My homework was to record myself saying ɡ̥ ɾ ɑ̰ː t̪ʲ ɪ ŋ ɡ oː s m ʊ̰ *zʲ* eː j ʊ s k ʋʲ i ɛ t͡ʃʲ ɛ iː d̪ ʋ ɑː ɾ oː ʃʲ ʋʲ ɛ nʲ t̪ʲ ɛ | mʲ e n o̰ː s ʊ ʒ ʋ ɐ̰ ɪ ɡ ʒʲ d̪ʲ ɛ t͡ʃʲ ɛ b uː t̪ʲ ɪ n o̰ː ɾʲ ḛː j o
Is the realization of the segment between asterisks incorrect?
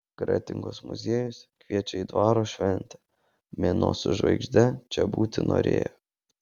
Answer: no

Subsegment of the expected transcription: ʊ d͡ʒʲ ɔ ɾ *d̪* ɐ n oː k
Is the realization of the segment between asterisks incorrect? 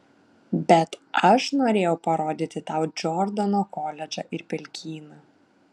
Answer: no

